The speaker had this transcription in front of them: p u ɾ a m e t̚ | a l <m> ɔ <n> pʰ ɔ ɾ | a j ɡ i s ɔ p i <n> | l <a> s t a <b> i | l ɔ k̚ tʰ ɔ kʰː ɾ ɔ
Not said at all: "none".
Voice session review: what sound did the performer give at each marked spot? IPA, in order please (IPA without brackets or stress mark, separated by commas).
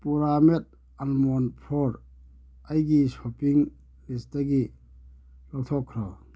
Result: m, n, ŋ, i, ɡ